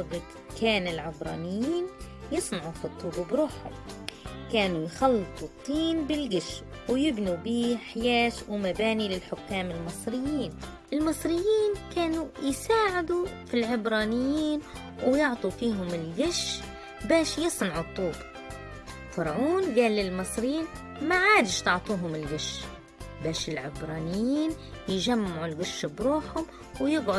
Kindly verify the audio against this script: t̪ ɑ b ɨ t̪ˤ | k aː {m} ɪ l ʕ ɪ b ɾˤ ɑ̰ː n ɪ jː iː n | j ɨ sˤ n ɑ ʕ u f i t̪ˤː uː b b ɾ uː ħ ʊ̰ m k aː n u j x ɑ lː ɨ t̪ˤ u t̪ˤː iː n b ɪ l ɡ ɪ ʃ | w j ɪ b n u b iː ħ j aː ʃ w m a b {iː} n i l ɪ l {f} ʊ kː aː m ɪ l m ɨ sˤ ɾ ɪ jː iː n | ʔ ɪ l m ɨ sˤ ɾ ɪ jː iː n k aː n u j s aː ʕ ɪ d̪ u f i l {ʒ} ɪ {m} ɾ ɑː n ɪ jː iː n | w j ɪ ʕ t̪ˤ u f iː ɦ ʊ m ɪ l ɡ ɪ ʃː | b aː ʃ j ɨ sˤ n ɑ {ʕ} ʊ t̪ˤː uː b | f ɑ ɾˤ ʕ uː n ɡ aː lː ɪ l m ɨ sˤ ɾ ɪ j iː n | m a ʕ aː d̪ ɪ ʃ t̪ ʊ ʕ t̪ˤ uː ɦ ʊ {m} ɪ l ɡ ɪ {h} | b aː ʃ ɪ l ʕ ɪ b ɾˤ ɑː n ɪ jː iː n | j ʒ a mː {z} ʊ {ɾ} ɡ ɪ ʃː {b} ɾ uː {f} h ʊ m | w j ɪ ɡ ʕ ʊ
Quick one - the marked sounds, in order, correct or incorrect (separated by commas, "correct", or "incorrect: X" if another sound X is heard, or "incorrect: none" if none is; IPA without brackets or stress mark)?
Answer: incorrect: n, incorrect: aː, incorrect: ħ, incorrect: ʕ, incorrect: b, correct, correct, incorrect: ʃ, incorrect: ʕ, incorrect: l, correct, incorrect: ħ